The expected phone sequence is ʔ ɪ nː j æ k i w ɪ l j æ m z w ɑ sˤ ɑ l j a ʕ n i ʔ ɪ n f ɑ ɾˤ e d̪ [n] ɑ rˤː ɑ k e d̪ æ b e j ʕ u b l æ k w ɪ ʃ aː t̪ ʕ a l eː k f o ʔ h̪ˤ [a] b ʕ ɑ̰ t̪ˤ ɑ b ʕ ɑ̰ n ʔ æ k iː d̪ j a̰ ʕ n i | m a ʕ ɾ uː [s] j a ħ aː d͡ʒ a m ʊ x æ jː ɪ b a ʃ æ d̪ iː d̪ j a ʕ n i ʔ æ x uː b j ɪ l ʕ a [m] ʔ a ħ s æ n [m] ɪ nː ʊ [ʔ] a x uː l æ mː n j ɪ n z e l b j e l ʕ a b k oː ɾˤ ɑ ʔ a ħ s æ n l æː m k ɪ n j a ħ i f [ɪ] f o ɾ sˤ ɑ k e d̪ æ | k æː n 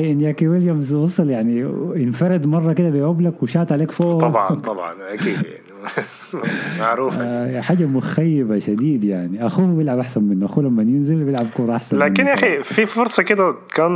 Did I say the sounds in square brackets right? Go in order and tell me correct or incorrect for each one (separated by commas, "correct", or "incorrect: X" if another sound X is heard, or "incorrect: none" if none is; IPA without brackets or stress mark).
incorrect: m, incorrect: ɑ, incorrect: f, incorrect: b, correct, correct, incorrect: i